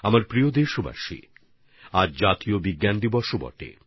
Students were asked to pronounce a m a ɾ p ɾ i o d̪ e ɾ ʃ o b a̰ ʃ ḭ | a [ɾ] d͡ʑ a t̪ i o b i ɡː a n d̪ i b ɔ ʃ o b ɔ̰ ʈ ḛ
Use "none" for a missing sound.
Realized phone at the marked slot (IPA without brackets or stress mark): ɾ